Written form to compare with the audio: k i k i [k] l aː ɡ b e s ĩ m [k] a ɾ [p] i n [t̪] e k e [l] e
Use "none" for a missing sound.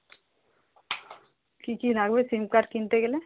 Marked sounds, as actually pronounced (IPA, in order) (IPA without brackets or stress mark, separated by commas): none, k, k, t̪, l